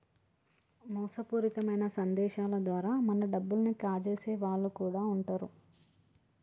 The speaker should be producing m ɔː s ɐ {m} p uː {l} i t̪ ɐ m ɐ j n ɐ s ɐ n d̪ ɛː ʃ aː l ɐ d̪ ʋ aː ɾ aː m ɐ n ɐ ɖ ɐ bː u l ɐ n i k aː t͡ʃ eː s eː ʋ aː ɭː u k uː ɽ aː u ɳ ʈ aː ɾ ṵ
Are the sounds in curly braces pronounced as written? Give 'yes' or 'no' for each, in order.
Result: no, no

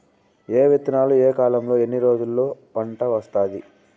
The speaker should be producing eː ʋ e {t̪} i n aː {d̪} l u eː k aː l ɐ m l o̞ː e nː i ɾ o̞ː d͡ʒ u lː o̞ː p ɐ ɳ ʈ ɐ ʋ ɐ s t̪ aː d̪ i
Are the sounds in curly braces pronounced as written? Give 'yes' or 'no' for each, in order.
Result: yes, no

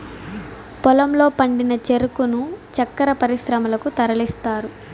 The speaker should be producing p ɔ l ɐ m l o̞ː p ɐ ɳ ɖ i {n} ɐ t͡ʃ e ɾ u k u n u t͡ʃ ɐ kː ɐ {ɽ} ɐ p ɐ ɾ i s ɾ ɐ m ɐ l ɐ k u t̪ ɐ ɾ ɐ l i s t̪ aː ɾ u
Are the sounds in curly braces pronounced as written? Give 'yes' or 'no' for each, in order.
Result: yes, no

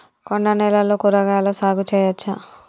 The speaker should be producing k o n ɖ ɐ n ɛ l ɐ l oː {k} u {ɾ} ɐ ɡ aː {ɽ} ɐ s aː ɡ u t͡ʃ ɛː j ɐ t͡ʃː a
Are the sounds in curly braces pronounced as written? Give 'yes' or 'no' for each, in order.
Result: yes, yes, no

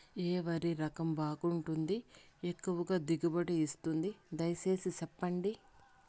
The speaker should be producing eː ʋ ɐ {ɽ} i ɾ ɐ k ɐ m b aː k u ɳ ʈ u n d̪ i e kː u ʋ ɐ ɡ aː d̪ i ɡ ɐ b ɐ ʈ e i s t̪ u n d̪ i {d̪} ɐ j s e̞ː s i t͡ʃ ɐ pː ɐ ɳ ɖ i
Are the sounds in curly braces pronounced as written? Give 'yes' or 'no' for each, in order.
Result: no, yes

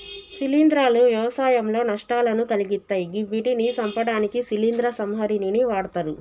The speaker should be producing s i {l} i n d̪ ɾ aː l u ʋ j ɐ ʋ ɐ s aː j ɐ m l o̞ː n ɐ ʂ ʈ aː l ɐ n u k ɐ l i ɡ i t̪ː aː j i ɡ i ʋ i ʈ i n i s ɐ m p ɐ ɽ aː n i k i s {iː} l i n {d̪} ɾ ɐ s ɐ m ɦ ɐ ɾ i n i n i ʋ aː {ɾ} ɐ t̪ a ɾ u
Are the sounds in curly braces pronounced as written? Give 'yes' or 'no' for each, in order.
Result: yes, no, yes, no

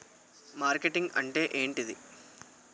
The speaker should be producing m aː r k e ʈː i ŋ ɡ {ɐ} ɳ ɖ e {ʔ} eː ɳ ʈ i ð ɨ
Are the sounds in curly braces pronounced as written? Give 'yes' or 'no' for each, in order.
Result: yes, yes

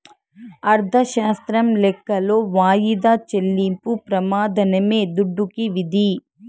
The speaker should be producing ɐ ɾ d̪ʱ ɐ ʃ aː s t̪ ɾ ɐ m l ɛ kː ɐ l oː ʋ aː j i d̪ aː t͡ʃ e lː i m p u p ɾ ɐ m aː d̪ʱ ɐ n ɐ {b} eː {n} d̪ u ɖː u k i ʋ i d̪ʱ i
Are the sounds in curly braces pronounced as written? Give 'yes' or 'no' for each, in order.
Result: no, no

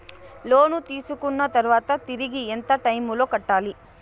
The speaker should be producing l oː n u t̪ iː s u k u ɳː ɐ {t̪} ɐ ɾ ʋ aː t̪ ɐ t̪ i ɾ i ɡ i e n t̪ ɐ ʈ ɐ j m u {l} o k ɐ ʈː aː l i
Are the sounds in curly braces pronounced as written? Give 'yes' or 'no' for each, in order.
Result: yes, yes

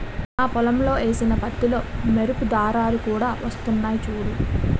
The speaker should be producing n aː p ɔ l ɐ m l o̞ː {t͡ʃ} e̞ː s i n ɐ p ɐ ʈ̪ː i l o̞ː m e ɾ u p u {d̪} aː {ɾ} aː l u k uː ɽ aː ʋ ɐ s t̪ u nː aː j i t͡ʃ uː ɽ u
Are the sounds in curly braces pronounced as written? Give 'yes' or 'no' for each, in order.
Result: no, yes, yes

